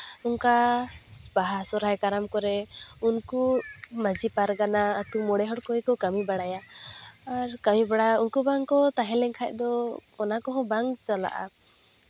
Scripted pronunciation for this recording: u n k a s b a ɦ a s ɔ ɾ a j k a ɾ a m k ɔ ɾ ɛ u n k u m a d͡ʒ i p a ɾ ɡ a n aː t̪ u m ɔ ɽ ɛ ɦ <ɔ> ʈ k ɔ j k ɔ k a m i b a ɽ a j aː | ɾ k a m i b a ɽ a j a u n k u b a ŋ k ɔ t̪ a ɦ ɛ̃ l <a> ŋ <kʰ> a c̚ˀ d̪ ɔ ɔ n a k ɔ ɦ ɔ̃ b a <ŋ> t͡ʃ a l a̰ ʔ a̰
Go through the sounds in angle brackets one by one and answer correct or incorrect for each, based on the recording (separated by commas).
correct, incorrect, correct, correct